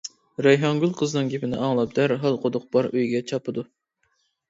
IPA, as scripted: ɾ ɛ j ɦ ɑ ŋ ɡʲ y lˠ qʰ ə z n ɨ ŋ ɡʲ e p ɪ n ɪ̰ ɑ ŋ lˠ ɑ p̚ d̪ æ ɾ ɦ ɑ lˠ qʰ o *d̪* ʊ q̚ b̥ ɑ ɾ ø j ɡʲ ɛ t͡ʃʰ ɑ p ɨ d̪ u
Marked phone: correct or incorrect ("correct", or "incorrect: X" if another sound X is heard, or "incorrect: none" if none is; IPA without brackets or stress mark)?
correct